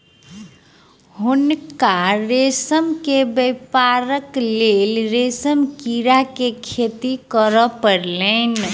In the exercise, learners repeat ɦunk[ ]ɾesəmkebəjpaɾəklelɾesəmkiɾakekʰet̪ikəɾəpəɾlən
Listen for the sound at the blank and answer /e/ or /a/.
a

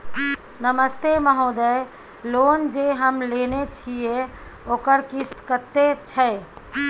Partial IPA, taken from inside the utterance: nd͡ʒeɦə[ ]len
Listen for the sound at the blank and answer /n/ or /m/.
m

